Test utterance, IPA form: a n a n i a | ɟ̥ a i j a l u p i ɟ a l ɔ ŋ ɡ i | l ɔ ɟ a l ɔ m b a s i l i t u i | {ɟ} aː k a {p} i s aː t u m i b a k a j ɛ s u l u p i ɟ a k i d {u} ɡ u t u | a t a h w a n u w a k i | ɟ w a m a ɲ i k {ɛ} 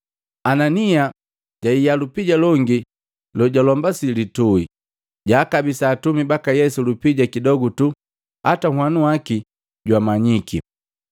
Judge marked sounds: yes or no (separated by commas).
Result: yes, no, no, no